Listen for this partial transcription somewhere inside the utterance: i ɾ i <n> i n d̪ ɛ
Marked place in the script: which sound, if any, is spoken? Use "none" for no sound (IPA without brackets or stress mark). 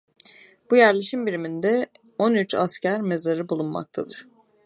m